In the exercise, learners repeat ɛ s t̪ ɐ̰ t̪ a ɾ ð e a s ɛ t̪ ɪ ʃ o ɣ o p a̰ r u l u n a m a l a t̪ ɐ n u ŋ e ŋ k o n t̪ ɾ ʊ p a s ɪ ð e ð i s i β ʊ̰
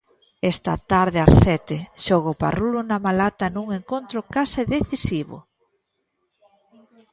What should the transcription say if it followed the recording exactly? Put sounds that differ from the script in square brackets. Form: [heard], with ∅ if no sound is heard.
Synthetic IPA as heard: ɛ s t̪ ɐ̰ t̪ a ɾ ð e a s ɛ t̪ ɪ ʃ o ɣ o p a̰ r u l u n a m a l a t̪ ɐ n u ŋ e ŋ k o n t̪ ɾ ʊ [k] a s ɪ ð e [θ] i s i β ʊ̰

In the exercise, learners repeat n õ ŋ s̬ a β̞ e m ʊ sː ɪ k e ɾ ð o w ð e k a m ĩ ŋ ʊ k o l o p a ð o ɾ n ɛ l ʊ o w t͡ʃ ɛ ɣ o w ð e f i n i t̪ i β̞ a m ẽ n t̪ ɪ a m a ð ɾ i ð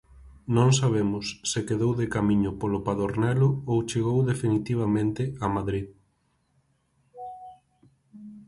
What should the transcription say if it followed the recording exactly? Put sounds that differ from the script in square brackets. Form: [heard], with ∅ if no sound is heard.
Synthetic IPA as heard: n õ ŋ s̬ a β̞ e m ʊ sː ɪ k e [∅] ð o w ð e k a m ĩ [ɲ] ʊ [p] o l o p a ð o ɾ n ɛ l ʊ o w t͡ʃ [e] ɣ o w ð e f i n i t̪ i β̞ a m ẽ n t̪ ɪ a m a ð ɾ i ð

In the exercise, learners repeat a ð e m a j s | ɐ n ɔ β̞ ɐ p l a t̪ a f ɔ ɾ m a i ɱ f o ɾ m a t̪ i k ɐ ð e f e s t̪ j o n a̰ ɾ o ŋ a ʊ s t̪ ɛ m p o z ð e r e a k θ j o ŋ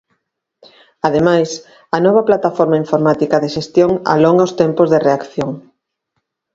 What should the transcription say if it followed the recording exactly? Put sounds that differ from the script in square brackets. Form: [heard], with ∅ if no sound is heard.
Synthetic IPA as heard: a ð e m a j s | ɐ n ɔ β̞ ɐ p l a t̪ a f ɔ ɾ m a i ɱ f o ɾ m a t̪ i k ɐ ð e [ʃ] e s t̪ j o [ŋ] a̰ [l] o ŋ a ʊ s t̪ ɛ m p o z ð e r e a k θ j o ŋ

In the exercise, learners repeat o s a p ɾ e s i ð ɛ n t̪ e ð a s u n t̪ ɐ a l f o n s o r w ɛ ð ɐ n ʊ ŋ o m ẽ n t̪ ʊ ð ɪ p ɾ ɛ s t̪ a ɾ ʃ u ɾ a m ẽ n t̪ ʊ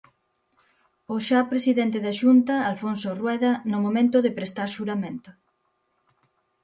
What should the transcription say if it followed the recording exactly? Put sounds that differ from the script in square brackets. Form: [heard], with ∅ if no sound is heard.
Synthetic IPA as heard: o [ʃ] a p ɾ e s i ð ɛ n t̪ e ð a [ʃ] u n t̪ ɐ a l f o n s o r w ɛ ð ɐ n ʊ [m] o m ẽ n t̪ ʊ ð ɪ p ɾ [e] s t̪ a ɾ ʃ u ɾ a m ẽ n t̪ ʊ

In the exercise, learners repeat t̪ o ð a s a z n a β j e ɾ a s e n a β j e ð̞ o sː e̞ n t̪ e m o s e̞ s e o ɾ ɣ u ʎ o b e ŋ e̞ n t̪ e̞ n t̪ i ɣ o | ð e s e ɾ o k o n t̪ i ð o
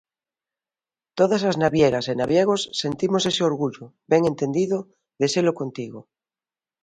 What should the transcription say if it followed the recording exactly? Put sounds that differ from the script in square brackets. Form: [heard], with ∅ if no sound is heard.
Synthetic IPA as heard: t̪ o ð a s a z n a β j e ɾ a s e n a β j e [ɣ̞] o sː e̞ n t̪ [i] m o s e̞ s e o ɾ ɣ u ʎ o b e ŋ e̞ n t̪ e̞ n [d̪] i [ð] o | ð e s e [l] o k o n t̪ i [ɣ] o

